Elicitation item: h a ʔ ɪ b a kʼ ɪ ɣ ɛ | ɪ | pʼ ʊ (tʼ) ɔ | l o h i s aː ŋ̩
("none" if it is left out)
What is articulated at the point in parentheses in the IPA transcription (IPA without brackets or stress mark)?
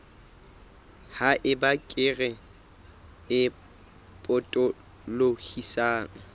tʼ